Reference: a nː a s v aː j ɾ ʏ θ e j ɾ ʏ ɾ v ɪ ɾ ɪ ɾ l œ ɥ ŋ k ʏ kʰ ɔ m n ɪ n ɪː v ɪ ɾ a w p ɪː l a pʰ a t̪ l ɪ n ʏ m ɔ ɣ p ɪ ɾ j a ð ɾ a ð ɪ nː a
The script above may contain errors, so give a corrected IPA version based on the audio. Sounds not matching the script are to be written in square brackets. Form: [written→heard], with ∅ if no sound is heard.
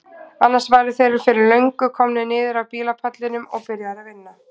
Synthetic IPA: a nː a s v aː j ɾ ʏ θ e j ɾ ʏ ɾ [v→f] ɪ ɾ ɪ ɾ l œ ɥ ŋ k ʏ kʰ ɔ m n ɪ n ɪː [v→ð] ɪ ɾ a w p [ɪː→iː] l a pʰ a t̪ l ɪ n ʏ m ɔ ɣ p ɪ ɾ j a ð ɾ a [ð→v] ɪ nː a